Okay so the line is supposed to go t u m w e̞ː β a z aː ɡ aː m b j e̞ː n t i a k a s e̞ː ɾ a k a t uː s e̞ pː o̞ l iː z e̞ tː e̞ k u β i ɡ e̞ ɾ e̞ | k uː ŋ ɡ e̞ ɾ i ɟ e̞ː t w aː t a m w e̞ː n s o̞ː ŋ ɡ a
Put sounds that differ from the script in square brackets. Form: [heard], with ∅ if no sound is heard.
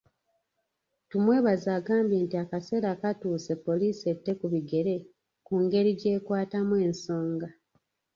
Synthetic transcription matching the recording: t u m w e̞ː β a z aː ɡ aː m b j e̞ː n t i a k a s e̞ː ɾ a k a t uː s e̞ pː o̞ l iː [s] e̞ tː e̞ k u β i ɡ e̞ ɾ e̞ | k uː ŋ ɡ e̞ ɾ i ɟ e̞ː [k] w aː t a m w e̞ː n s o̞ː ŋ ɡ a

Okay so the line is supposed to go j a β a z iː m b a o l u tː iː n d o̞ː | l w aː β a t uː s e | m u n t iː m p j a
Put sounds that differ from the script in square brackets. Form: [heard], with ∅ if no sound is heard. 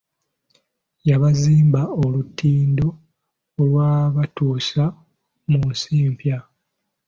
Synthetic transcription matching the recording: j a β a z iː m b a o l u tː iː n d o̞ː | l w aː β a t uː s [a] | m u n [s] iː m p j a

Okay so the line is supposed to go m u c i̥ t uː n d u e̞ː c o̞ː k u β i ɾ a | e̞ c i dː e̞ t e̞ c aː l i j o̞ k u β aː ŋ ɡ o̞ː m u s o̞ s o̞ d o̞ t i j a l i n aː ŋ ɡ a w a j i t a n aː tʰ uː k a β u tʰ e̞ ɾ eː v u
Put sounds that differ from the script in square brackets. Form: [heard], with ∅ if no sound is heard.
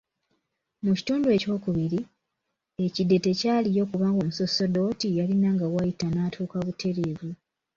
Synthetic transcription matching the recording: m u c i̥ t uː n d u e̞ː c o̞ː k u β i ɾ [i] | e̞ c i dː e̞ t e̞ c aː l i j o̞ k u β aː ŋ ɡ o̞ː m u s o̞ s o̞ d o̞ t i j a l i n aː ŋ ɡ a w a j i t a n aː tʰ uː k a β u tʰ e̞ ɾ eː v u

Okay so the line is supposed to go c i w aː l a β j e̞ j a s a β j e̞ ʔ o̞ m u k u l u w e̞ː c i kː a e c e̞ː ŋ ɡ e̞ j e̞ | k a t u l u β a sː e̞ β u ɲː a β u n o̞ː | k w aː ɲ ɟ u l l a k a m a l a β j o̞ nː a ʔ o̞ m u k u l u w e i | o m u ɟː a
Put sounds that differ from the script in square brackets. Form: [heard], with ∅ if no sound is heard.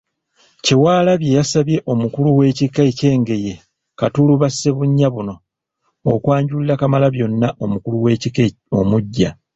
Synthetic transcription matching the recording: c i w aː l a β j e̞ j a s a β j e̞ ʔ o̞ m u k u l u w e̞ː c i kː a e c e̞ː ŋ ɡ e̞ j e̞ | k a t u l u β a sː e̞ β u ɲː a β u n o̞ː | k w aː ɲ ɟ u l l a k a m a l a β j o̞ nː a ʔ o̞ m u k u l u w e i | o m u ɟː a

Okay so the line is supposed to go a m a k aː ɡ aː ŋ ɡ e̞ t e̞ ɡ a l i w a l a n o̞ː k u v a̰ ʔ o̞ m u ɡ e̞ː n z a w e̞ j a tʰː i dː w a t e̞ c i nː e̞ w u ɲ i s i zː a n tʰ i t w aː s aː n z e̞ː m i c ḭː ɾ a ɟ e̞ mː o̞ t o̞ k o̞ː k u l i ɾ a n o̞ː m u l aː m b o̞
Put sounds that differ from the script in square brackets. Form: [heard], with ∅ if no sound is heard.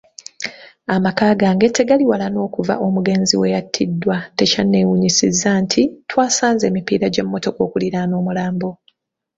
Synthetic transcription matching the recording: a m a k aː ɡ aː ŋ ɡ e̞ t e̞ ɡ a l i w a l a n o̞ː k u v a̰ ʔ o̞ m u ɡ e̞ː n z [i] w e̞ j a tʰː i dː w a t e̞ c [a] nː e̞ w u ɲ i s i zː a n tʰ i t w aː s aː n z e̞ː m i [p] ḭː ɾ a ɟ e̞ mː o̞ t o̞ k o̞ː k u l i ɾ a n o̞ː m u l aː m b o̞

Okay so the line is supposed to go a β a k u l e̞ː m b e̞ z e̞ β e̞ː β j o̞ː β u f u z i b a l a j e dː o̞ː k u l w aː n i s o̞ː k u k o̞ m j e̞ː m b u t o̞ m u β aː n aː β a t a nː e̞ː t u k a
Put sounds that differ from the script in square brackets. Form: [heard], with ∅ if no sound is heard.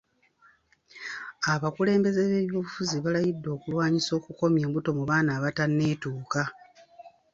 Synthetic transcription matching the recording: a β a k u l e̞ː m b e̞ z e̞ β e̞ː β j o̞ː β u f u z i [β] a l a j [i] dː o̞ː k u l w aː [ɲ] i s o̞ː k u k o̞ m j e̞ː m b u t o̞ m u β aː n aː β a t a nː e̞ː t [uː] k a

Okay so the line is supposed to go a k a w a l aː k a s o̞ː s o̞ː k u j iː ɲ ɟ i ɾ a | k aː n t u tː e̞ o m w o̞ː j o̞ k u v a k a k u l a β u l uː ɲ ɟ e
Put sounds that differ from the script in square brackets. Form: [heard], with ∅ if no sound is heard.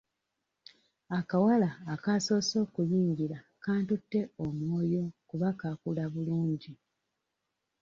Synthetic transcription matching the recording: a k a w a l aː k a s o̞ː s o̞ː k u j iː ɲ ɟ i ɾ a | k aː n t u tː e̞ o m w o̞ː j o̞ k u [β] a k a k u l a β u l uː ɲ ɟ [i]

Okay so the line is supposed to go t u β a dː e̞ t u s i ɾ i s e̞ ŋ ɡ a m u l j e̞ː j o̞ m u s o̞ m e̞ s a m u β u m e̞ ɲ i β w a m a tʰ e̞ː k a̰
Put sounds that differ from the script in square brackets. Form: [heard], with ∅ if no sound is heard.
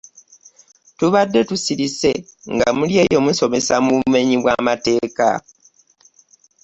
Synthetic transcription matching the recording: t u β a dː e̞ t u s i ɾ i s e̞ ŋ ɡ a m u l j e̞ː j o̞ m u s o̞ m e̞ s a m u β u m e̞ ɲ i β w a m a [t] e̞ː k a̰

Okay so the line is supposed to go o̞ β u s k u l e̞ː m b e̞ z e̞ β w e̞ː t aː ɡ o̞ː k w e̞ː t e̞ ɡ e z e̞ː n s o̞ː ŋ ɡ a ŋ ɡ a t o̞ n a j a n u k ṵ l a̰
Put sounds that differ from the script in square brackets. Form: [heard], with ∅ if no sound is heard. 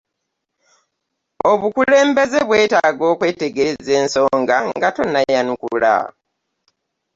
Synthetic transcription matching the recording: o̞ β u [∅] k u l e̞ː m b e̞ z e̞ β w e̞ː t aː ɡ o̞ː k w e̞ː t e̞ ɡ e z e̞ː n s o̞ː ŋ ɡ a ŋ ɡ a t o̞ n a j a n u k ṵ l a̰

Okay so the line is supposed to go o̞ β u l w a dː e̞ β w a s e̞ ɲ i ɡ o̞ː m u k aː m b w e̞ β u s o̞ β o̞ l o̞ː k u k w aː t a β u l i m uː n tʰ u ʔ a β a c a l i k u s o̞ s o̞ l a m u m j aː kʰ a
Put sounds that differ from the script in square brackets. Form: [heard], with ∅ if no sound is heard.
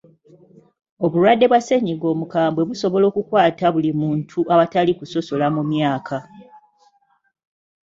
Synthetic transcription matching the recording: o̞ β u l w a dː e̞ β w a s e̞ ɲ i ɡ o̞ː m u k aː m b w e̞ β u s o̞ β o̞ l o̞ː k u k w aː t a β u l i m uː n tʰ u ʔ a β a [t] a l i k u s o̞ s o̞ l a m u m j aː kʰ a

